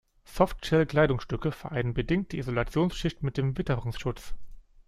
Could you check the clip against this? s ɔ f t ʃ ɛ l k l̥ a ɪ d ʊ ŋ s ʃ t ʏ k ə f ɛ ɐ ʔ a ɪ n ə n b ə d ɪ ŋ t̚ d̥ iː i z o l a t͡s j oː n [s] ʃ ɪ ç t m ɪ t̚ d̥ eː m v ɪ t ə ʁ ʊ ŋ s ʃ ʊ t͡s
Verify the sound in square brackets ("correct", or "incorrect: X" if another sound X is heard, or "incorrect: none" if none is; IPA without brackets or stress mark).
correct